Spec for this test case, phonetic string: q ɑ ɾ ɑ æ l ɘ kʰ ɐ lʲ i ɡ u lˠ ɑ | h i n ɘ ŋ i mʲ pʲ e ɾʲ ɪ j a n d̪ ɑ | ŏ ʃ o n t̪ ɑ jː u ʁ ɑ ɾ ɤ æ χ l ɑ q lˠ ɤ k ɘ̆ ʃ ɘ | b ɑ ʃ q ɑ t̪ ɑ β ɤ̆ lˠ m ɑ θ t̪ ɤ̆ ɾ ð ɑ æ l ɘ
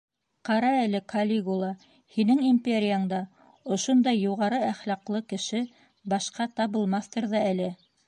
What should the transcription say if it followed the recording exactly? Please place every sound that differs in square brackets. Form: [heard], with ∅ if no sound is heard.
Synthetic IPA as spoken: q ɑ ɾ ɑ æ l ɘ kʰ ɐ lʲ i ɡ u lˠ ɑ | h i n ɘ ŋ i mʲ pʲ e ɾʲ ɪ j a [ɴ] d̪ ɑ | ŏ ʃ o n [d̪] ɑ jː u ʁ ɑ ɾ ɤ æ χ l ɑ q lˠ ɤ k ɘ̆ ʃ ɘ | b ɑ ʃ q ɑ t̪ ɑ β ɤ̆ lˠ m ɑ θ t̪ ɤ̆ ɾ ð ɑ æ l ɘ

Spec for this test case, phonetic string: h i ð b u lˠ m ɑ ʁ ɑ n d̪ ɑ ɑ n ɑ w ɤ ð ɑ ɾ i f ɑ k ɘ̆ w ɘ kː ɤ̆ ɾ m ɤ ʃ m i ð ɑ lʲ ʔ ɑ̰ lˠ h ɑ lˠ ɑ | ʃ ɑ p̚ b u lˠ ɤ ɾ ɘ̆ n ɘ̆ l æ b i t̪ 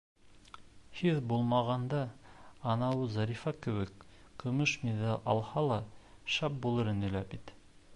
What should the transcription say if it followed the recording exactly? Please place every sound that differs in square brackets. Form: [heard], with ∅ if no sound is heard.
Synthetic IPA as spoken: h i ð b u lˠ m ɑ ʁ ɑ n d̪ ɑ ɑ n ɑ w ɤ [z] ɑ ɾ i f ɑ k ɘ̆ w ɘ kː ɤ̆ [∅] m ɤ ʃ m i ð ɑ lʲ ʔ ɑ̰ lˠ h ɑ lˠ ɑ | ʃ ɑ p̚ b u lˠ ɤ ɾ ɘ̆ n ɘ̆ l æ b i t̪

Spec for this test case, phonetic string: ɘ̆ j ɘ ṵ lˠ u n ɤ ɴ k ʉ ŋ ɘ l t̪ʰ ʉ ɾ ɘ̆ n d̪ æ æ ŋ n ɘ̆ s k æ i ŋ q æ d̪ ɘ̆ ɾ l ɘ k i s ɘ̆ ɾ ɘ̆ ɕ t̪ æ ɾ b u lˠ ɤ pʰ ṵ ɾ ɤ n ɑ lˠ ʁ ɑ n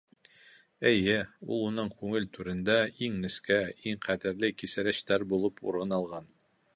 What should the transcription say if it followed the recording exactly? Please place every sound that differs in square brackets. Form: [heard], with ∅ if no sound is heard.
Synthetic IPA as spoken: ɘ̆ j ɘ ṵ lˠ u n ɤ ɴ k ʉ ŋ ɘ l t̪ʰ ʉ ɾ ɘ̆ n d̪ æ [i] ŋ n ɘ̆ s k æ i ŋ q æ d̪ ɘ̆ ɾ l ɘ k i s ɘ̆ ɾ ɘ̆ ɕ t̪ æ ɾ b u lˠ ɤ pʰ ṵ ɾ ɤ n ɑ lˠ ʁ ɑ n

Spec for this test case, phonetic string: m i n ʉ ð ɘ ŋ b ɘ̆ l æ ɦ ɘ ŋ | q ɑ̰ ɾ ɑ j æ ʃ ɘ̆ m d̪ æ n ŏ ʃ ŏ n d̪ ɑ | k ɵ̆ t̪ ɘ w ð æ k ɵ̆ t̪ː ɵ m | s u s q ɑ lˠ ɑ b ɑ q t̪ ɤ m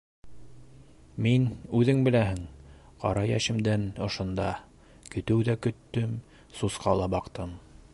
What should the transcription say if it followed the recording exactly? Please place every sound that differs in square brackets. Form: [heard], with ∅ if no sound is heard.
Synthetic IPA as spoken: m i n ʉ ð ɘ ŋ b ɘ̆ l æ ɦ ɘ ŋ | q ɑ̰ ɾ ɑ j æ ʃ ɘ̆ m d̪ æ n ŏ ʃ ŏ n d̪ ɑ | k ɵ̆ t̪ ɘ w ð æ k ɵ̆ t̪ː ɵ m | s u s q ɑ lˠ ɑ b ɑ q t̪ ɤ m

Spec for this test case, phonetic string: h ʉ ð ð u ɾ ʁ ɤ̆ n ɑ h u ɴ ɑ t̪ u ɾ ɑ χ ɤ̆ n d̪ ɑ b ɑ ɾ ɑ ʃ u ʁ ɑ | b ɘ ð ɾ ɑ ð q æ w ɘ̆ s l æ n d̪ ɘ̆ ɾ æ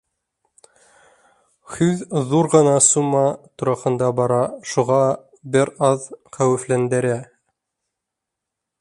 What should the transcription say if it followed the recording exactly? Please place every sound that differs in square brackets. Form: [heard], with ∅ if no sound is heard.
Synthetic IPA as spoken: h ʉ ð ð u ɾ ʁ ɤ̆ n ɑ [s] u [m] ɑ t̪ u ɾ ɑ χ ɤ̆ n d̪ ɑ b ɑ ɾ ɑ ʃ u ʁ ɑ | b ɘ [∅] ɾ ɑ ð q æ w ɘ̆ [f] l æ n d̪ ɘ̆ ɾ æ

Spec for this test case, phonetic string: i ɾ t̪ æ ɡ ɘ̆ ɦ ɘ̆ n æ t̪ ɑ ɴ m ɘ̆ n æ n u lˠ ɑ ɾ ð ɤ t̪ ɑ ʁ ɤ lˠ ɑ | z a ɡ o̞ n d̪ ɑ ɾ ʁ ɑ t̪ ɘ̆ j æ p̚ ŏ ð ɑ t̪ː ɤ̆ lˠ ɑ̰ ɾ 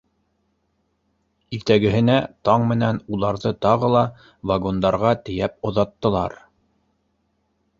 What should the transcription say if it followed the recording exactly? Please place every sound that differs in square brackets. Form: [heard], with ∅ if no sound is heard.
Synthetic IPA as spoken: i ɾ t̪ æ ɡ ɘ̆ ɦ ɘ̆ n æ t̪ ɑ ɴ m ɘ̆ n æ n u lˠ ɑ ɾ ð ɤ t̪ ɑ ʁ ɤ lˠ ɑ | [v] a ɡ o̞ n d̪ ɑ ɾ ʁ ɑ t̪ ɘ̆ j æ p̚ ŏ ð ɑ t̪ː ɤ̆ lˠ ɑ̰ ɾ

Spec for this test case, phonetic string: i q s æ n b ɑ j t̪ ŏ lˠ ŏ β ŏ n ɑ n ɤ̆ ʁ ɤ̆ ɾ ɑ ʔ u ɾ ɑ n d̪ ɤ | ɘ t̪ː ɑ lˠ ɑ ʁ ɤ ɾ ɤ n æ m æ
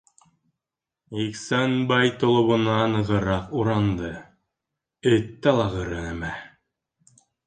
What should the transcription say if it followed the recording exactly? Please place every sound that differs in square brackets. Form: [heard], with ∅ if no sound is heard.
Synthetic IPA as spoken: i [k] s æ n b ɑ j t̪ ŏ lˠ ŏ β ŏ n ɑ n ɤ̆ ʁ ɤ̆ ɾ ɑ [q] u ɾ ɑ n d̪ ɤ | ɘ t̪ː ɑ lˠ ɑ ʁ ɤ ɾ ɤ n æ m æ

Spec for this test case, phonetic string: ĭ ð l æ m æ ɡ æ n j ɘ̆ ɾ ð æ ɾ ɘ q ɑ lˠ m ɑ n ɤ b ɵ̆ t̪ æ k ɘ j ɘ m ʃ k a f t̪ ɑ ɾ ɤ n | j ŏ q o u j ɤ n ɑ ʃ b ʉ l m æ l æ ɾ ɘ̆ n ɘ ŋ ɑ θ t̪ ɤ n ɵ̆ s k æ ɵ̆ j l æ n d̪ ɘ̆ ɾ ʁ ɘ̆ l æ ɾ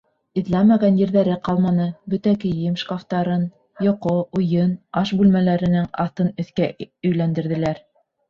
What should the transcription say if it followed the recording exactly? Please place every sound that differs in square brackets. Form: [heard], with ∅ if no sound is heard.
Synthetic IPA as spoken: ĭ ð l æ m æ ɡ æ n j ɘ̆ ɾ ð æ ɾ ɘ q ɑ lˠ m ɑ n ɤ b ɵ̆ t̪ æ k ɘ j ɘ m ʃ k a f t̪ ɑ ɾ ɤ n | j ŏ q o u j ɤ n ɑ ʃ b ʉ l m æ l æ ɾ ɘ̆ n ɘ ŋ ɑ θ t̪ ɤ n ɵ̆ [θ] k æ ɵ̆ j l æ n d̪ ɘ̆ ɾ [ð] ɘ̆ l æ ɾ

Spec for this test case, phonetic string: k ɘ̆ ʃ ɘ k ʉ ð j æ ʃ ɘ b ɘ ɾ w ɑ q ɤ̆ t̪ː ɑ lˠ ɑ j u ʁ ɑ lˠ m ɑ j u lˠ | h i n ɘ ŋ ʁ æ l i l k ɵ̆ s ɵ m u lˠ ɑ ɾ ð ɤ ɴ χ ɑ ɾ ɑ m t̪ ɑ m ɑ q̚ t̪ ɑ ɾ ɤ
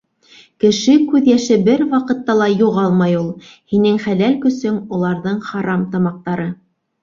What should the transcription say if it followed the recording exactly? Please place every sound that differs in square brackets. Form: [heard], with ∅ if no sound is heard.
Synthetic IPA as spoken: k ɘ̆ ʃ ɘ k ʉ ð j æ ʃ ɘ b ɘ ɾ w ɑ q ɤ̆ t̪ː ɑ lˠ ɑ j u ʁ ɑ lˠ m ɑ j u lˠ | h i n ɘ ŋ [χ] æ l [æ] l k ɵ̆ s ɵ m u lˠ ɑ ɾ ð ɤ ɴ χ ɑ ɾ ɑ m t̪ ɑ m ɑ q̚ t̪ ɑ ɾ ɤ

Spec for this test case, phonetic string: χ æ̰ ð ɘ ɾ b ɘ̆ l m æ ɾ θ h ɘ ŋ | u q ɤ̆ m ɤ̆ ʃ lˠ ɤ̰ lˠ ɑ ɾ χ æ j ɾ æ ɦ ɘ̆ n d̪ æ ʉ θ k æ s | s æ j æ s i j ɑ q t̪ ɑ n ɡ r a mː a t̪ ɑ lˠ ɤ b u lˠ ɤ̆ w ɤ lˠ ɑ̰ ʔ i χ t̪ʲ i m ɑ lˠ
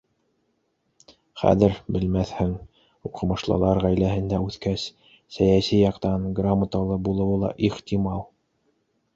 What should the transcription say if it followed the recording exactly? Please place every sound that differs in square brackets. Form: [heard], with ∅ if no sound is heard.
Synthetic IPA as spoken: χ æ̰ ð ɘ ɾ b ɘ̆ l m æ [∅] θ h ɘ ŋ | u q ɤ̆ m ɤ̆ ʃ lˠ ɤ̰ lˠ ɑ ɾ [ʁ] æ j [l] æ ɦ ɘ̆ n d̪ æ ʉ θ k æ s | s æ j æ s i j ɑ q t̪ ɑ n ɡ r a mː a t̪ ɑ lˠ ɤ b u lˠ ɤ̆ w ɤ lˠ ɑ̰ ʔ i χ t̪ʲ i m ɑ lˠ

